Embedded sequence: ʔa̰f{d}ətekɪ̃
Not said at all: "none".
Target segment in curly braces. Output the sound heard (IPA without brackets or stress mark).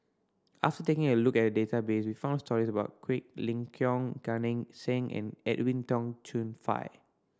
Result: t